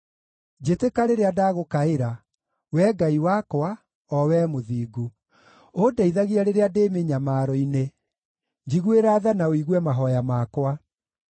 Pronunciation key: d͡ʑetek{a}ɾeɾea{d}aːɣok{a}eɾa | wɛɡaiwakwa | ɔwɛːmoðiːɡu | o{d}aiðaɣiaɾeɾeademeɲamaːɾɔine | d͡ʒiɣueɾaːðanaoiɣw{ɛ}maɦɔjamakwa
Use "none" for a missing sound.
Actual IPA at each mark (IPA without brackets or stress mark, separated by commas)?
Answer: a, d, a, d, ɛ